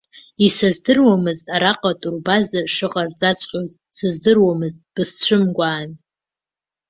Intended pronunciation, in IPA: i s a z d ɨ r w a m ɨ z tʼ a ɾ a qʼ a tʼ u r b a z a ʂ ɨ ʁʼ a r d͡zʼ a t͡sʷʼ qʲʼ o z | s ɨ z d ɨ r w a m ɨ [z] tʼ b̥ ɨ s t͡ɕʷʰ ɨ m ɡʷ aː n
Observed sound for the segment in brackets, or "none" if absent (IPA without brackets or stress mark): z